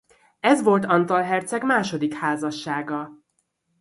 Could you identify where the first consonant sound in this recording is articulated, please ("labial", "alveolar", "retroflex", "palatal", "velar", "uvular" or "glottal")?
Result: alveolar